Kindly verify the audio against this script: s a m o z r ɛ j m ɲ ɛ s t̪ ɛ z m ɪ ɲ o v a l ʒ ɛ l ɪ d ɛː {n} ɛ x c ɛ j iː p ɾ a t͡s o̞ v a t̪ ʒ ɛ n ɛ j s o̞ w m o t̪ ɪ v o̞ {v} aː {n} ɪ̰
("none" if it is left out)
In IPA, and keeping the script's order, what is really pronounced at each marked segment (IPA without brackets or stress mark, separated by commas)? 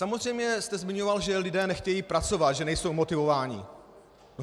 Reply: n, v, ɲ